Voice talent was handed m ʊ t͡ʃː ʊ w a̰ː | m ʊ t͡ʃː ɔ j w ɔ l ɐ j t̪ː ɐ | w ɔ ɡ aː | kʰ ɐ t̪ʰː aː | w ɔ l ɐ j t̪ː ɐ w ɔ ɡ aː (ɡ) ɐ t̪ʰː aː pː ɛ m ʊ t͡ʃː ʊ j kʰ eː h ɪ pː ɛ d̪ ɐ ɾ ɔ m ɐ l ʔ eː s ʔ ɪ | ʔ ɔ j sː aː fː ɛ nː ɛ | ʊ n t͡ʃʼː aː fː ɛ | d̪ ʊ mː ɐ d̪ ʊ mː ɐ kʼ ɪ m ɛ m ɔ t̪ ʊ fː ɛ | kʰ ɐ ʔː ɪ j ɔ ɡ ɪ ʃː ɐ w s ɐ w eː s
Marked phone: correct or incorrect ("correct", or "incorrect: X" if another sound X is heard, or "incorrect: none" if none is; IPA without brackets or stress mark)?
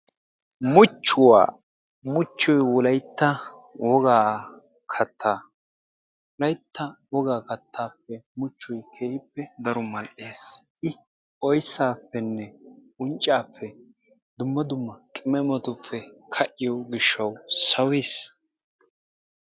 incorrect: k